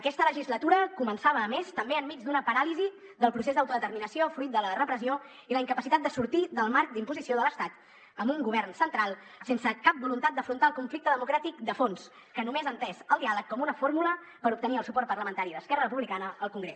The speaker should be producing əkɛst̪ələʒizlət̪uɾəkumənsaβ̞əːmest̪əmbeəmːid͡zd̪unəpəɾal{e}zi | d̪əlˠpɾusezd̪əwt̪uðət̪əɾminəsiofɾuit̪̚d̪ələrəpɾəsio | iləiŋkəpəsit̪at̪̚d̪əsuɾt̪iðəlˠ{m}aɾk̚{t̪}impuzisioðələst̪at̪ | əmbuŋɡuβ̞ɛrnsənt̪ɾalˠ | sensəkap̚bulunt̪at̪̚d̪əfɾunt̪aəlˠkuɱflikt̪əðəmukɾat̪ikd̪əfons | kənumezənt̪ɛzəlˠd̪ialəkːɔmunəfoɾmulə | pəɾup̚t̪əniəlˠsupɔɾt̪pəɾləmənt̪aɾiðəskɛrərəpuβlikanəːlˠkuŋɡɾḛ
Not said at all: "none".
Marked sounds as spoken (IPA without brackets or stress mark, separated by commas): i, m, d̪